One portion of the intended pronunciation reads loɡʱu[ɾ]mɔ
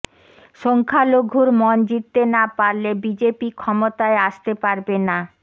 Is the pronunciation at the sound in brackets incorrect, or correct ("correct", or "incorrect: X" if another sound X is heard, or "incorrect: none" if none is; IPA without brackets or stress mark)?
correct